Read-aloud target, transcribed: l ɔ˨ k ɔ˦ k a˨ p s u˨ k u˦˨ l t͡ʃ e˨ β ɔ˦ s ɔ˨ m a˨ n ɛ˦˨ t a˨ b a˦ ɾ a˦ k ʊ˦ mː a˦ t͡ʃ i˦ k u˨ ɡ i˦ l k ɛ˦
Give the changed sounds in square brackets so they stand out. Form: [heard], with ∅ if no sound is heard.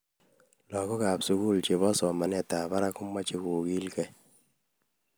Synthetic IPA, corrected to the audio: l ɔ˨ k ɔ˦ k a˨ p s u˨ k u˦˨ l t͡ʃ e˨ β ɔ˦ s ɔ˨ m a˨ n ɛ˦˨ t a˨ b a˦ ɾ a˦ k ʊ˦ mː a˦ t͡ʃ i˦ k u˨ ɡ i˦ l k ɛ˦